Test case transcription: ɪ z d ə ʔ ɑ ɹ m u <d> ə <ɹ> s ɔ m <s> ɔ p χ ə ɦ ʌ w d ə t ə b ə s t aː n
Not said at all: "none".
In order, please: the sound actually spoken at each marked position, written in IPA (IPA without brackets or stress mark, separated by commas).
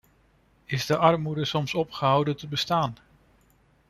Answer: d, none, s